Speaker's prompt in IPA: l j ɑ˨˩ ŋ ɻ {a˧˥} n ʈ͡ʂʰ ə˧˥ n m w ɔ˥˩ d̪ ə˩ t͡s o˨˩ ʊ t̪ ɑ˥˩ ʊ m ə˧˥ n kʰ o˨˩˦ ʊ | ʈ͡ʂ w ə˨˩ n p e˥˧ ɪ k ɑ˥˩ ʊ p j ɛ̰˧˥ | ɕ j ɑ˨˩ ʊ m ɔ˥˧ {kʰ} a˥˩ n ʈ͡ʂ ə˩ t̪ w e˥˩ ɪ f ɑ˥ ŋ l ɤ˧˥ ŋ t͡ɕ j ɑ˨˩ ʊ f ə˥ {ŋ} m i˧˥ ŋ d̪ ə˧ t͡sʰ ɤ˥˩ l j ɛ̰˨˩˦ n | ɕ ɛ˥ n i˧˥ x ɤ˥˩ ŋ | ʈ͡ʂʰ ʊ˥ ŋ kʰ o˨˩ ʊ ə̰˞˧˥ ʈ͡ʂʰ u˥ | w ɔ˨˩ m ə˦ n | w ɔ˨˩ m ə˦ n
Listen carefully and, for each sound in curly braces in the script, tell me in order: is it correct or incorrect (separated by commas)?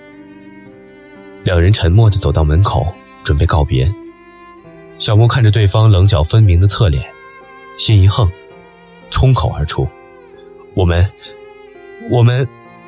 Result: incorrect, correct, incorrect